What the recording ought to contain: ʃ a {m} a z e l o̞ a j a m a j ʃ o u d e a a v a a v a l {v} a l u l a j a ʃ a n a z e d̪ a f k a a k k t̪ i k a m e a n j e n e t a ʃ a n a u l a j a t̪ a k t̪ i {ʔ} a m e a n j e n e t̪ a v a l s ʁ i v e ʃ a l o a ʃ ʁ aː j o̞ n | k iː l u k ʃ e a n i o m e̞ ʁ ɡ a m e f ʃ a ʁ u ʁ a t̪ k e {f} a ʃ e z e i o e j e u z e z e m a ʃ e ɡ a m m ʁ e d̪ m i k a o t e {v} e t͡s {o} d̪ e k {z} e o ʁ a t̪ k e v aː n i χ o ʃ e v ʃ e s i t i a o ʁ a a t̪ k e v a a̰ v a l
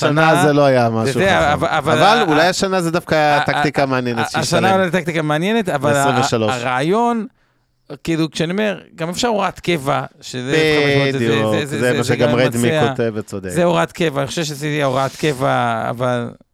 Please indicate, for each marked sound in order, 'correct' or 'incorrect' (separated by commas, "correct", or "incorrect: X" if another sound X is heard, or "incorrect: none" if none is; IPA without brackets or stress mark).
incorrect: n, correct, incorrect: k, incorrect: v, correct, correct, correct